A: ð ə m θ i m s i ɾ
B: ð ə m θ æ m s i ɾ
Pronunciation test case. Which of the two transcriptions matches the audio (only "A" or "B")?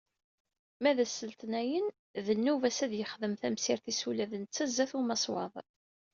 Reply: B